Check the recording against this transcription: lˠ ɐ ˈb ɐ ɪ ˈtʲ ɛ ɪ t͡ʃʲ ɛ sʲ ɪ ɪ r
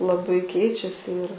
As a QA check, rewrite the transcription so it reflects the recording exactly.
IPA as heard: lˠ ɐ ˈb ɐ ɪ ˈkʲ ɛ ɪ t͡ʃʲ ɛ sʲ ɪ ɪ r